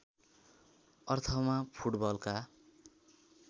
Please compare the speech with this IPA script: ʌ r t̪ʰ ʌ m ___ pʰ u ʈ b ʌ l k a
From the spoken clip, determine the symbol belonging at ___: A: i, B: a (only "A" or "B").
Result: B